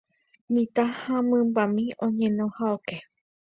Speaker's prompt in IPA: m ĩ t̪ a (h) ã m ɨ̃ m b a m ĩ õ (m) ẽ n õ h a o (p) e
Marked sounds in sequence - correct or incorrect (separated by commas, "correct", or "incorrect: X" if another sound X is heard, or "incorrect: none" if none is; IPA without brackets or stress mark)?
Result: correct, incorrect: ɲ, incorrect: k